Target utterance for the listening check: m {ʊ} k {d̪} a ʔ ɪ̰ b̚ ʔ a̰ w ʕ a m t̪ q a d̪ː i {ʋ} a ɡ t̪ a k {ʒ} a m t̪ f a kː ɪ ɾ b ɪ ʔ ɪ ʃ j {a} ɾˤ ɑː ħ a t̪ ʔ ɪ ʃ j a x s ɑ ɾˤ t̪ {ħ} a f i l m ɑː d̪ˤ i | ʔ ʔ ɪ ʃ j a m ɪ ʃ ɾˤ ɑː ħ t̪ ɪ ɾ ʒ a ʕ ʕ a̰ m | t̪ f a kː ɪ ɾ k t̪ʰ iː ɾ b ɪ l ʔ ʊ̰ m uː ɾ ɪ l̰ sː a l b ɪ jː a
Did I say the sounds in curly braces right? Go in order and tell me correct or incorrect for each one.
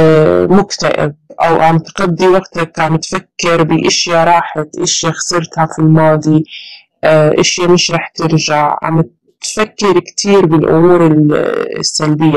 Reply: correct, incorrect: t̪, incorrect: w, incorrect: ʕ, correct, incorrect: h

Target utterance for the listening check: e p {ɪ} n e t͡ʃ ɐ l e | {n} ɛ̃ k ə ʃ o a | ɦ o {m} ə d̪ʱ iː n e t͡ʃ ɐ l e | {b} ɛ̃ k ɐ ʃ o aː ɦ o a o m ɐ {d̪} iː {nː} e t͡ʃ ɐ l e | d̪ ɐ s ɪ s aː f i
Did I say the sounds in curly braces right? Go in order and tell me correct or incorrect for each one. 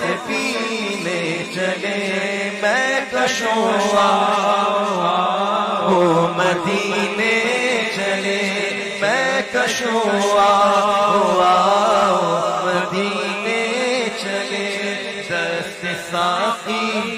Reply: incorrect: i, incorrect: m, correct, incorrect: m, correct, incorrect: n

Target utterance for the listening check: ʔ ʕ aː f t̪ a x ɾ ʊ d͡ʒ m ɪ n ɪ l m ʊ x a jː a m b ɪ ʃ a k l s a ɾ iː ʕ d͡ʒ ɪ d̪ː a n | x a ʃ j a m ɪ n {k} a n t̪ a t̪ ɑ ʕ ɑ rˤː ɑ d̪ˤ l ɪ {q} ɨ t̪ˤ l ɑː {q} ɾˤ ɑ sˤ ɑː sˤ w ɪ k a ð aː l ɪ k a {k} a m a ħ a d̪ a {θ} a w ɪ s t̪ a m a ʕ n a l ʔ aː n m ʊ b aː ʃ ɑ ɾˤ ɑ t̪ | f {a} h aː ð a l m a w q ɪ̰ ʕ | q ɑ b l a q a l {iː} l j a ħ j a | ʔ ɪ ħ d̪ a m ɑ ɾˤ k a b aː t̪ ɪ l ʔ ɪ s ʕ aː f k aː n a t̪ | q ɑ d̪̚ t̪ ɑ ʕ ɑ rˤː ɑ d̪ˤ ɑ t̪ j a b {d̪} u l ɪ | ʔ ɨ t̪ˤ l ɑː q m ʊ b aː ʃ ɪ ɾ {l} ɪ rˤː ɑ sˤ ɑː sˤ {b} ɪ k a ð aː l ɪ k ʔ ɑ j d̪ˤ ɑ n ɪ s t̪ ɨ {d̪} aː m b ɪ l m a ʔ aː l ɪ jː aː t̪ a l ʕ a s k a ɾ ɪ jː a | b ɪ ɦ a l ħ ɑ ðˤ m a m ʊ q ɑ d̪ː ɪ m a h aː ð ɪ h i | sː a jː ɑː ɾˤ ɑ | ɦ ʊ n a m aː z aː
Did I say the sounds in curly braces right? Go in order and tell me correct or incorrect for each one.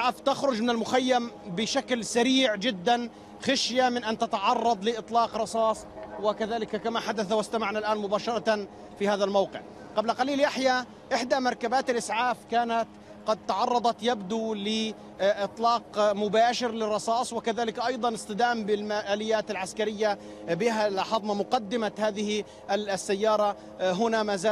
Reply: incorrect: ʔ, incorrect: ʔ, correct, correct, correct, incorrect: i, correct, correct, correct, incorrect: w, correct

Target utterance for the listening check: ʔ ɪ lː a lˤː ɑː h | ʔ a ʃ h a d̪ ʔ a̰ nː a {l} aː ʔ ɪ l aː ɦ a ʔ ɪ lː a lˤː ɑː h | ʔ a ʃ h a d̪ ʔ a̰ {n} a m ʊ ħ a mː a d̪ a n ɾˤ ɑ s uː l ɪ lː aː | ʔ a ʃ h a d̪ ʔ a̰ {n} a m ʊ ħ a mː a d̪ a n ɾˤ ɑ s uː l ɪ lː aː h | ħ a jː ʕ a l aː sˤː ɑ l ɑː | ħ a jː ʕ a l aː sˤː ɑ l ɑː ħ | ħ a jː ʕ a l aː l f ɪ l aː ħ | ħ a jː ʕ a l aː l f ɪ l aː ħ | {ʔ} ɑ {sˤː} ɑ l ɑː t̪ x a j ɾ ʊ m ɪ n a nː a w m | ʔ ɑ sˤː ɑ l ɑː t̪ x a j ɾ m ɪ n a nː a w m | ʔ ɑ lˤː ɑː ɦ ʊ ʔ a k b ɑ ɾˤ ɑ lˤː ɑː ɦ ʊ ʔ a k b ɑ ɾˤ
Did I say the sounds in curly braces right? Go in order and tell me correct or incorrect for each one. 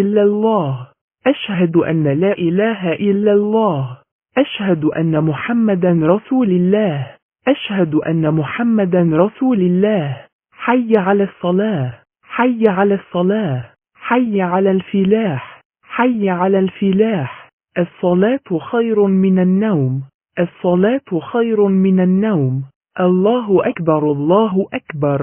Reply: correct, incorrect: nː, incorrect: nː, correct, correct

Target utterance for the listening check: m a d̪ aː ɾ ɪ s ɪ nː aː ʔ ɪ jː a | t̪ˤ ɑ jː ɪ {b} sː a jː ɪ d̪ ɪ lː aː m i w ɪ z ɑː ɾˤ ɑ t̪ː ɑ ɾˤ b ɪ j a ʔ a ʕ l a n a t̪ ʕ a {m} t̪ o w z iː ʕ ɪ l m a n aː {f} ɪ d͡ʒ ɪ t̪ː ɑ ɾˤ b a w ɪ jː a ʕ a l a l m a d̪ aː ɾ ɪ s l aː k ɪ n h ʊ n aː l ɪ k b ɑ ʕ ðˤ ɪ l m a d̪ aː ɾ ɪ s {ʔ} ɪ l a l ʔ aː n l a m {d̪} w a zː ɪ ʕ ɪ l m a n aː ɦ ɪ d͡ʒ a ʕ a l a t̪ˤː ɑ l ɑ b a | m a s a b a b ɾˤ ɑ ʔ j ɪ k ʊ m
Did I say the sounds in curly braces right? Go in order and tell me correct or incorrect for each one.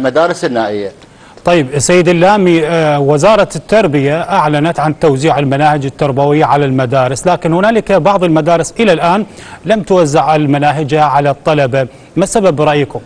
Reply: correct, incorrect: n, incorrect: h, correct, incorrect: t̪

